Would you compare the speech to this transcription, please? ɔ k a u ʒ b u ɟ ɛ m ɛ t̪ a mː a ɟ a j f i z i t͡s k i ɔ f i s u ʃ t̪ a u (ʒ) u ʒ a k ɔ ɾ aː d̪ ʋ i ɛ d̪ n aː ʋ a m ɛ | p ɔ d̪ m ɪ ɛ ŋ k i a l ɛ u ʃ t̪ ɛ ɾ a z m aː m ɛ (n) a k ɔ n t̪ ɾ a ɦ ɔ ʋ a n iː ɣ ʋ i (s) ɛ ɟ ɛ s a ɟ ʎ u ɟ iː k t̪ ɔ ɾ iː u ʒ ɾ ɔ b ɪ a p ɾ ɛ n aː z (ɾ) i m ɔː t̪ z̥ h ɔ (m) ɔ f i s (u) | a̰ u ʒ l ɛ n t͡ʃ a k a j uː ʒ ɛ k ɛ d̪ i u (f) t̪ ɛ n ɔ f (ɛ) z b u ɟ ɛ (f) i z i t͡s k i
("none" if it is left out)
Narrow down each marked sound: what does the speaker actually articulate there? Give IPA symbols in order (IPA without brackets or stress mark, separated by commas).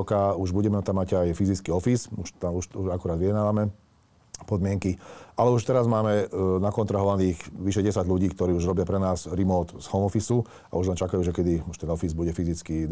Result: ʃ, n, ʃ, ɾ, m, u, ʃ, i, f